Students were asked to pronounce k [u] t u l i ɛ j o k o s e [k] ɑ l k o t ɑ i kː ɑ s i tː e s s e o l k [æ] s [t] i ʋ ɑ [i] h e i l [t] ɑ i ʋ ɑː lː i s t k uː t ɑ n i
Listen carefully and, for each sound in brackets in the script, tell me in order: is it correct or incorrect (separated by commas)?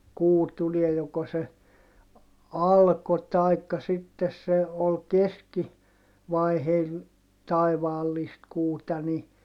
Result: incorrect, incorrect, incorrect, incorrect, correct, correct